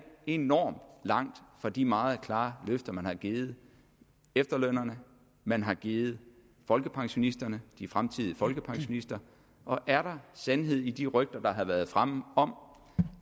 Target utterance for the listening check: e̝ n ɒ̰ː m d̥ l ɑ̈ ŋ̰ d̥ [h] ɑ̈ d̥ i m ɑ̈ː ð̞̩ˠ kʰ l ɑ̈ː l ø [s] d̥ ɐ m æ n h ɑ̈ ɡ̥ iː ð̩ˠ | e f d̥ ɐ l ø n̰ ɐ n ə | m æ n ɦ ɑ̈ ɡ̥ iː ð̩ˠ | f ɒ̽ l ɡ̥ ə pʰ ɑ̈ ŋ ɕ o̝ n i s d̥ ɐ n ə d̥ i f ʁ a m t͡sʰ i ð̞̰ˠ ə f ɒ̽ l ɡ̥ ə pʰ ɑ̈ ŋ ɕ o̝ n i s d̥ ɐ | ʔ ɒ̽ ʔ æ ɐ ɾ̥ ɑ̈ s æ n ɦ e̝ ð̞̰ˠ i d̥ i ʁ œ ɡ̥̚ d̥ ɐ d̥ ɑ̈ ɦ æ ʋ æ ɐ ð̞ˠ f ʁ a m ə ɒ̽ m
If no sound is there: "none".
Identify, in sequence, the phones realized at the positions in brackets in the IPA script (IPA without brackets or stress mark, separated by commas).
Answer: f, f